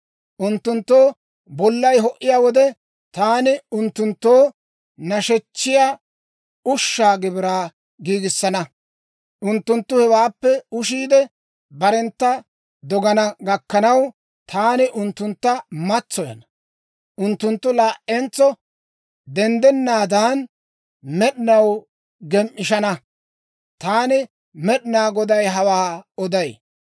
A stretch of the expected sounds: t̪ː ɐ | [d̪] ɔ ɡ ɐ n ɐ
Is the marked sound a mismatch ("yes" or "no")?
no